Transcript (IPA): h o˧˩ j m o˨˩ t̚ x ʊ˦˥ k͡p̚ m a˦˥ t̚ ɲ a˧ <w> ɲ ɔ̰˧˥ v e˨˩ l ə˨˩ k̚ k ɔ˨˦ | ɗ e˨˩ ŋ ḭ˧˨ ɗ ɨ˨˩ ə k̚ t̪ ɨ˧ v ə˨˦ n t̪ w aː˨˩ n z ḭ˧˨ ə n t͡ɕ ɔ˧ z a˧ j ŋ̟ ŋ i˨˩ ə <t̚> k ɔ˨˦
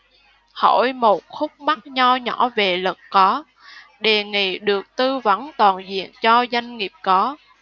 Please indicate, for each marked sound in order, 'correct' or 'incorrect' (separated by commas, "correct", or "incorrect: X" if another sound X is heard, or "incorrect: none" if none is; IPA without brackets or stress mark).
correct, incorrect: p̚